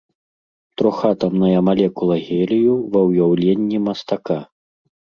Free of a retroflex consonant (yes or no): yes